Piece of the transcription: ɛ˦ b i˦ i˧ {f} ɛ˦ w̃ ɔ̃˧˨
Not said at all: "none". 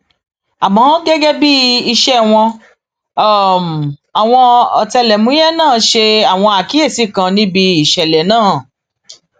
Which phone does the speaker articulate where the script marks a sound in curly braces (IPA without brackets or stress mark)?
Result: ʃ